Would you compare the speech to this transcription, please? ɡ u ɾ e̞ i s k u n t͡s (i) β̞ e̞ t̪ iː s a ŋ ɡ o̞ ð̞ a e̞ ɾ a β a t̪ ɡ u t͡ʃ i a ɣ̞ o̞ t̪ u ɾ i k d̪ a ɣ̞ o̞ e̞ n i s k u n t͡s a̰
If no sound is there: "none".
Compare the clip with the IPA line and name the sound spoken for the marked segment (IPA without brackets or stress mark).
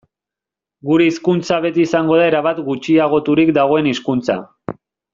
a